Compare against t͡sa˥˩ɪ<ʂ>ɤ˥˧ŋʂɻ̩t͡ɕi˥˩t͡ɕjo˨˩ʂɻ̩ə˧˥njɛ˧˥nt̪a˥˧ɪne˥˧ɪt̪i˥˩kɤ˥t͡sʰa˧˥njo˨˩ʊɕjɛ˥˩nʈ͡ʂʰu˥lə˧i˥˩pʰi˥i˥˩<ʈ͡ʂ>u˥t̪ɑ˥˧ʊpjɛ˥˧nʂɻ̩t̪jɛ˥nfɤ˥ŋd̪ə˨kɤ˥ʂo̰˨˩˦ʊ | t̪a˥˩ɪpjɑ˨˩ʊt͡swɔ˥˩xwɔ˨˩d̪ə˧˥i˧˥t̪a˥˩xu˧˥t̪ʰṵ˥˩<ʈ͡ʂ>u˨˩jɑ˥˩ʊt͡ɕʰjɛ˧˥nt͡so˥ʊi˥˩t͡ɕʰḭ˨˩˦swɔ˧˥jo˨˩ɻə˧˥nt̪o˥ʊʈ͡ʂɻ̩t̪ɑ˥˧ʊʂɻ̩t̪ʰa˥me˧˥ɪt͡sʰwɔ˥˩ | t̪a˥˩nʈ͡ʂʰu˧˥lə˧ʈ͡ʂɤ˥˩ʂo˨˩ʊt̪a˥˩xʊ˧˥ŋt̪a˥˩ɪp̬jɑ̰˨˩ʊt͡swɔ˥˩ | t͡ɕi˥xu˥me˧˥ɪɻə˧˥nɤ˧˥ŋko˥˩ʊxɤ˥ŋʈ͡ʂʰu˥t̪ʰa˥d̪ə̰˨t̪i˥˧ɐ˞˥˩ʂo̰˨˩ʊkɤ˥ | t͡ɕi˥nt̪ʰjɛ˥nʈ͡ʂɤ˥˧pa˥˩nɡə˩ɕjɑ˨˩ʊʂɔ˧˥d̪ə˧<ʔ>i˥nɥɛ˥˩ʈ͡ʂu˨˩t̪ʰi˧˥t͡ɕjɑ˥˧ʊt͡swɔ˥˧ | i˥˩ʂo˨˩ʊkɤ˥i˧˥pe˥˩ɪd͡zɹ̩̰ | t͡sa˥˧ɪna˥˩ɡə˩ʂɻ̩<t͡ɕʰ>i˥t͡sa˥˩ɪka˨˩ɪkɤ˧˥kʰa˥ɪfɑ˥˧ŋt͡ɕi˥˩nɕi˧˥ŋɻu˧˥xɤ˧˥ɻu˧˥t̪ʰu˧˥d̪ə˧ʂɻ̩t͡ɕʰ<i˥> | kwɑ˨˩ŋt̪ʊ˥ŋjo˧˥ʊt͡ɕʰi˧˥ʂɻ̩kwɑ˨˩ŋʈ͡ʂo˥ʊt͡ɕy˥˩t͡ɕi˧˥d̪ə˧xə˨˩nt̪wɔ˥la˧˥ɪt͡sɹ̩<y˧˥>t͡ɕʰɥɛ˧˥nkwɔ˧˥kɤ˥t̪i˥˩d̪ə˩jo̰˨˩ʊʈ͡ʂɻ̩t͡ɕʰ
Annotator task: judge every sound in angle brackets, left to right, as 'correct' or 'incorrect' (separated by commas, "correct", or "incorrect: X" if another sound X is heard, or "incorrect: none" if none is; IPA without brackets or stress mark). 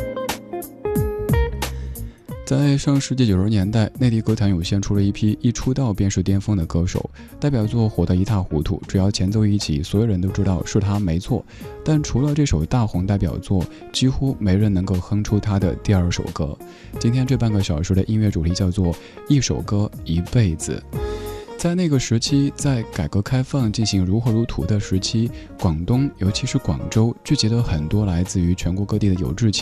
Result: correct, incorrect: ʈ͡ʂʰ, correct, correct, correct, correct, correct